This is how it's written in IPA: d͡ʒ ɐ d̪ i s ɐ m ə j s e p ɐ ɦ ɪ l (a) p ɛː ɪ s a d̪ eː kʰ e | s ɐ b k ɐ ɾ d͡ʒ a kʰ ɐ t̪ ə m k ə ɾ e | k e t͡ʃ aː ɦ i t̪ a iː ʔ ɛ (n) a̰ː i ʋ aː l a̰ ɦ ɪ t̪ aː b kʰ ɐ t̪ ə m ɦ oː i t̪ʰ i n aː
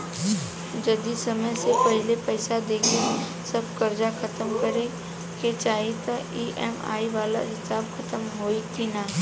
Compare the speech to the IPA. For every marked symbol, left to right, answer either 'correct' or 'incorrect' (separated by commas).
incorrect, incorrect